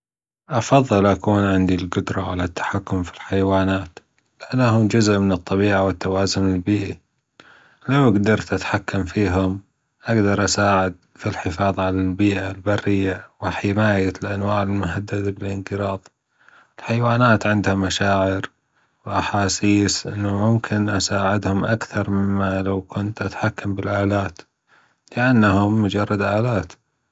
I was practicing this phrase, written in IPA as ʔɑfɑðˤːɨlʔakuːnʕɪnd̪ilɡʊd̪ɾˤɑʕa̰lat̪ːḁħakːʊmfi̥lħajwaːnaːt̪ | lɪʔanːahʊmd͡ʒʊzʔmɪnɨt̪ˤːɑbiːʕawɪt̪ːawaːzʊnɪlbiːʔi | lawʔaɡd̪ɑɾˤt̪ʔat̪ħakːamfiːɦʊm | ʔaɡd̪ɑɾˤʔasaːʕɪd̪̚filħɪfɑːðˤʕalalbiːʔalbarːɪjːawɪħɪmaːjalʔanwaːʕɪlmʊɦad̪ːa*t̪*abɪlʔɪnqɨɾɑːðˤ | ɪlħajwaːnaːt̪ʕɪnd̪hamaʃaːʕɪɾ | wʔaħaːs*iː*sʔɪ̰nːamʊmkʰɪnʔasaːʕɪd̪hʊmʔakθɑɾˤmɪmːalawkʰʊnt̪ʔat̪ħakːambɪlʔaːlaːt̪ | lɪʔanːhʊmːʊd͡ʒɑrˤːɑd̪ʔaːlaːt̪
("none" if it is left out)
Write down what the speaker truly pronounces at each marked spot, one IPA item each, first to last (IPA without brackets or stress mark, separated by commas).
d̪, iː